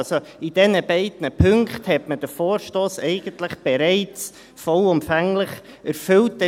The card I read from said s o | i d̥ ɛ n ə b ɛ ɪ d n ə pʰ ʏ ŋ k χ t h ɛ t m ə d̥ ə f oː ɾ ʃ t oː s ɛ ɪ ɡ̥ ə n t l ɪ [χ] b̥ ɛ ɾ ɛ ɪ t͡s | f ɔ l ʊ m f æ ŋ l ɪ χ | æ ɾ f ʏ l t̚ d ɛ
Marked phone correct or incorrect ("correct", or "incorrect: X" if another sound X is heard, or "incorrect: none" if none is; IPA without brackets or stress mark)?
correct